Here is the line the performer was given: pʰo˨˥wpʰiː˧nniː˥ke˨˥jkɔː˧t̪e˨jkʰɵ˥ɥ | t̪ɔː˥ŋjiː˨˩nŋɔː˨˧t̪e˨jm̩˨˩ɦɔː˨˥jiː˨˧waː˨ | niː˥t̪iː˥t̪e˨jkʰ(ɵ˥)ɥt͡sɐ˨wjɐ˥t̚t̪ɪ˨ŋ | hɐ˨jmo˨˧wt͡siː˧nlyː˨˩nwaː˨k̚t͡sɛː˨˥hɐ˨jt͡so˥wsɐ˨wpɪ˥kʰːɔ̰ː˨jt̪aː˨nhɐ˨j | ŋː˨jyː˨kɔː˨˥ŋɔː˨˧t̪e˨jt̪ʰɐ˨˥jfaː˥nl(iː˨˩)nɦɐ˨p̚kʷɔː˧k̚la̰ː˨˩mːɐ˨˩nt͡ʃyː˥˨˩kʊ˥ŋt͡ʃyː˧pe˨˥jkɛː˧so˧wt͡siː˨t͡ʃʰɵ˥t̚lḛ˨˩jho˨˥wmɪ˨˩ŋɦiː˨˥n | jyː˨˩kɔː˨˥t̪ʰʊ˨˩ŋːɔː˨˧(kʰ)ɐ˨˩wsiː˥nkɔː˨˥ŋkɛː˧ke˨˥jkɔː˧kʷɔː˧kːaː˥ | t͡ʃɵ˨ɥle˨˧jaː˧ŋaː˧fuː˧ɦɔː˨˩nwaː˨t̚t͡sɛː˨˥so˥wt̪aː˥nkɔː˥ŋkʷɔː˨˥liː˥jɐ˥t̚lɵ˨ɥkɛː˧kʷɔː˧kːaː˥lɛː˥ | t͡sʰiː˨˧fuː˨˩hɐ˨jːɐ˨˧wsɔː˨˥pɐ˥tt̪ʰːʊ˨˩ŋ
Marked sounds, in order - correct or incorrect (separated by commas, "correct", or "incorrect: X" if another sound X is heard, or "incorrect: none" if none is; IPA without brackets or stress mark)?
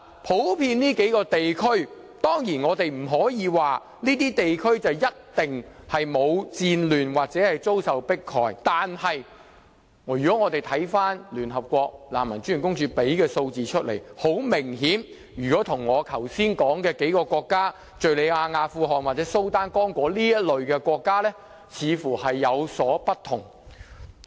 correct, incorrect: yː˨˩, correct